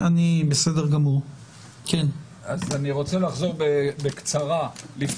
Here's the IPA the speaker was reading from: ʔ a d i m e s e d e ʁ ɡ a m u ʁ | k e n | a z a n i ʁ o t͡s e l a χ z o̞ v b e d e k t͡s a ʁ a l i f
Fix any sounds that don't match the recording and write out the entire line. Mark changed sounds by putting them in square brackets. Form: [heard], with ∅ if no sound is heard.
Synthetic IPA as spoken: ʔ a [n] i [b] e s e d e ʁ ɡ a m u ʁ | k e n | a z a n i ʁ o t͡s e l a χ z o̞ [ʁ] b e [b] e k t͡s a ʁ a l i f